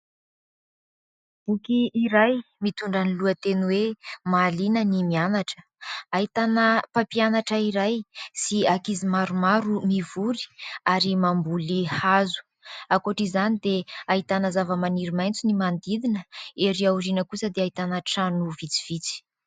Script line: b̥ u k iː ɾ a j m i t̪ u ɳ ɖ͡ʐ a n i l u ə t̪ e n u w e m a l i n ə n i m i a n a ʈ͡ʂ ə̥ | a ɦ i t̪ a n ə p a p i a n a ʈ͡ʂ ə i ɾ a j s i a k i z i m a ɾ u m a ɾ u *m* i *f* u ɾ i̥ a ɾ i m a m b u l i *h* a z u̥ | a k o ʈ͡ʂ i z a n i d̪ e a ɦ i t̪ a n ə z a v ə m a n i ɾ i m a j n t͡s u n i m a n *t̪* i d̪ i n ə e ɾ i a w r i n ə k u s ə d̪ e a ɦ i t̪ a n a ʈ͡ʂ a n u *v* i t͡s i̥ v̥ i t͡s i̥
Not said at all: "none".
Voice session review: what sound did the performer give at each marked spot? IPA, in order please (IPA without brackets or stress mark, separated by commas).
m, v, h, d̪, v